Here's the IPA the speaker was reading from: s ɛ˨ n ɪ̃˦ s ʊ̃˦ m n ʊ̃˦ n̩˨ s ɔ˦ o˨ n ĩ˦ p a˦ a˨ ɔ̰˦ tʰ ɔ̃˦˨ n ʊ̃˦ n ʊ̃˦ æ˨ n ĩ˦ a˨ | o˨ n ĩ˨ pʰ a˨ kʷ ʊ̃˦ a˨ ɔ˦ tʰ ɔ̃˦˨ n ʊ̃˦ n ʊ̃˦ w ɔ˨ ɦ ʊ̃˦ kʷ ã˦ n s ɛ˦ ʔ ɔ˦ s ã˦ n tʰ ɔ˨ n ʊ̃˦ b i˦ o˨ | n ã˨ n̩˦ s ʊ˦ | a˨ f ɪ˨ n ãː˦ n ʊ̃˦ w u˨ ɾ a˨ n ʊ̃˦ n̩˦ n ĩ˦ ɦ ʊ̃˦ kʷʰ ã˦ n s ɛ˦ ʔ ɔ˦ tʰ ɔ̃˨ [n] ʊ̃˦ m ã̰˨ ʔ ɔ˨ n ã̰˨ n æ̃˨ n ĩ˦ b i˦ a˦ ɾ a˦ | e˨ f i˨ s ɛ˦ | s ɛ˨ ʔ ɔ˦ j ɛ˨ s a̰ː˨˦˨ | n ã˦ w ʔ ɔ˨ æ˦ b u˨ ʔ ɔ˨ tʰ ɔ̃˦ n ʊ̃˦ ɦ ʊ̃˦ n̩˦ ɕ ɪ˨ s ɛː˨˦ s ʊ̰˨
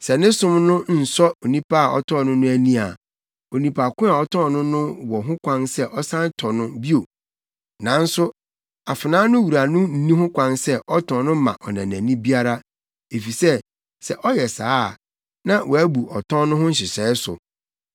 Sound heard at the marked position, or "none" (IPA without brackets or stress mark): n